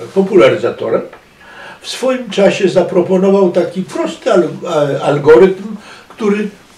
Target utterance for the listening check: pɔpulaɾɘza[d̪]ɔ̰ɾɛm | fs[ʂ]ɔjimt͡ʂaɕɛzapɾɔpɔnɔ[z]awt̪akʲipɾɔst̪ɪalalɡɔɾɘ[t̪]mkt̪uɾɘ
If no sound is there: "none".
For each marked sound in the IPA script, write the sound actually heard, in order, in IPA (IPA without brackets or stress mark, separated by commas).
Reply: t̪, f, v, t̪